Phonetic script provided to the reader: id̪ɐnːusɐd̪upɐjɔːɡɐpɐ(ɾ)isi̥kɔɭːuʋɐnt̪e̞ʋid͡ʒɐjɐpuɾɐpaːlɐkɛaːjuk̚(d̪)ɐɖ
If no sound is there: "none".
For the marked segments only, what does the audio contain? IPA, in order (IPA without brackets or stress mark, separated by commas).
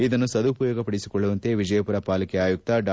ɽ, t̪